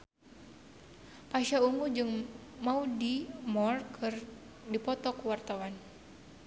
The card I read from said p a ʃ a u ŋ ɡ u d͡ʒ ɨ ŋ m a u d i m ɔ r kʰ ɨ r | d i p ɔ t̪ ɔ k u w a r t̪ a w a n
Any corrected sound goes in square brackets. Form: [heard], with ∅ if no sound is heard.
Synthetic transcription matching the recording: p a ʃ a u ŋ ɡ u d͡ʒ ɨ ŋ m a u d i m ɔ r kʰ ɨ r | d i p ɔ t̪ ɔ k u w a r t̪ a w a n